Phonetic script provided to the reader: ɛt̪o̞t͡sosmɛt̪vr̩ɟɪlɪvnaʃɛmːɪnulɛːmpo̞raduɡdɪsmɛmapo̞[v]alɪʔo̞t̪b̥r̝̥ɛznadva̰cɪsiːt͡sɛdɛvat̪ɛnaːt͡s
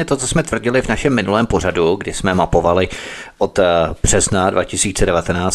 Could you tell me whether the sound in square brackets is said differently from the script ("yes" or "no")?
no